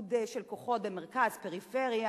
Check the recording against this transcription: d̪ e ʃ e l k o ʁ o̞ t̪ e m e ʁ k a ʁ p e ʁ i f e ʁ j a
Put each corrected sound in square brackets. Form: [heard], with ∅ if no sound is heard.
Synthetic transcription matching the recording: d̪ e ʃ e l k o [χ] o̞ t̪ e m e ʁ k a [z] p e ʁ i f e ʁ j a